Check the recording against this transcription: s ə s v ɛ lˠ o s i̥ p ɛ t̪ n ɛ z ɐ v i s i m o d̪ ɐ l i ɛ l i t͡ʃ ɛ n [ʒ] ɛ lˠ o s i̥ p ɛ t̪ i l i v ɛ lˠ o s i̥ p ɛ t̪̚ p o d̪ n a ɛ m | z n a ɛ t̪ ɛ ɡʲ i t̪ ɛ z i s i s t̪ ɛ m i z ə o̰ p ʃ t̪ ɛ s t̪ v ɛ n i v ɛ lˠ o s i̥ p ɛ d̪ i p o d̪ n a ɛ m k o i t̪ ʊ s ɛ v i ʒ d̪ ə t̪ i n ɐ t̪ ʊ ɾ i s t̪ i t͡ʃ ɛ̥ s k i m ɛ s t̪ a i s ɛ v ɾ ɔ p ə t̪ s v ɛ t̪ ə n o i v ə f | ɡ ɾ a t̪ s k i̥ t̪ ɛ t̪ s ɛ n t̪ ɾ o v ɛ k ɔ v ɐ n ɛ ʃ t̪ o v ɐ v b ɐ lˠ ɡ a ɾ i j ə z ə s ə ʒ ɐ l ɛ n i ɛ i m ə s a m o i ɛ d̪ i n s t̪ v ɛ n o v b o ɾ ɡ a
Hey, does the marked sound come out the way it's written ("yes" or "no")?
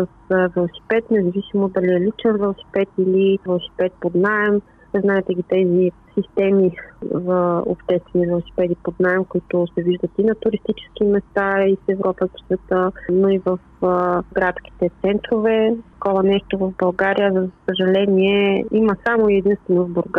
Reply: no